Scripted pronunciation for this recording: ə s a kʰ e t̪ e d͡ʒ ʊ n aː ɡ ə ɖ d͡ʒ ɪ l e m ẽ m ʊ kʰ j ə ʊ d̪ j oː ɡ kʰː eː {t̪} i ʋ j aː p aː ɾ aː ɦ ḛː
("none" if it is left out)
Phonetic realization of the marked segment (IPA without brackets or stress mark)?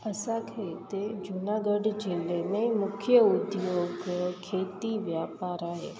t̪